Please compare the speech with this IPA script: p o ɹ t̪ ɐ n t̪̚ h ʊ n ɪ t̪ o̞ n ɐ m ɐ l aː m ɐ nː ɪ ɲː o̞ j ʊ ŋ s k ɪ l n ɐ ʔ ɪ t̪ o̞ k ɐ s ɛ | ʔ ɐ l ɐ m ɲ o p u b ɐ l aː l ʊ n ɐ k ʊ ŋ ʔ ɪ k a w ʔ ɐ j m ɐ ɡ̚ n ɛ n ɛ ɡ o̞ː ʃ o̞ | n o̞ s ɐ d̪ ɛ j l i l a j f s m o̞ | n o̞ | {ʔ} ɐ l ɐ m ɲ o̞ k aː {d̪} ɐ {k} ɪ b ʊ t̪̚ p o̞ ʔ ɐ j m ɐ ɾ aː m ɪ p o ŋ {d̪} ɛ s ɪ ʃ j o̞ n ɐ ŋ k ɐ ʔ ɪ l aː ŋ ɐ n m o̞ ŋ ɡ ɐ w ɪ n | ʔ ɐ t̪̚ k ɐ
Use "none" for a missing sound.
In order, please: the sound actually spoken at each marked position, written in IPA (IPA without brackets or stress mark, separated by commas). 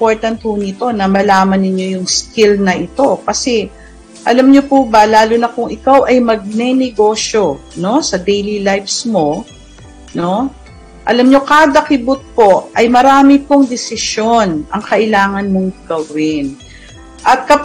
ʔ, d̪, k, d̪